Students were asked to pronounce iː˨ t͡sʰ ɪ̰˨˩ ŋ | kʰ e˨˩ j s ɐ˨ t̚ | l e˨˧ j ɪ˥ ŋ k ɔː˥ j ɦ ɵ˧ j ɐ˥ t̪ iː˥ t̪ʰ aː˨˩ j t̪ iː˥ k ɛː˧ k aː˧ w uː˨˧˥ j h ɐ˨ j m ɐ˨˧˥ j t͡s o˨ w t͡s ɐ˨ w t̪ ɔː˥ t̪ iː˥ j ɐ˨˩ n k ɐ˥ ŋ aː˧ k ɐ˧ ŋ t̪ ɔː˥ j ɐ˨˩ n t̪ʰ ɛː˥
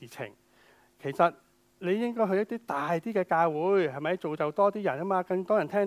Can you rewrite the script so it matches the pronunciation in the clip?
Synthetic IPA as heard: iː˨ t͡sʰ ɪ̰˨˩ ŋ | kʰ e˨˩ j s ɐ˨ t̚ | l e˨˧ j ɪ˥ ŋ k ɔː˥ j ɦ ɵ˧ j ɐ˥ t̪ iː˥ t̪ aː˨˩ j t̪ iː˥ k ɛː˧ k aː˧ w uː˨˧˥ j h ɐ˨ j m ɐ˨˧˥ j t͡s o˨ w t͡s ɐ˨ w t̪ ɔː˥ t̪ iː˥ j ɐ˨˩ n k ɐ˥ m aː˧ k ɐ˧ ŋ t̪ ɔː˥ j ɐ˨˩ n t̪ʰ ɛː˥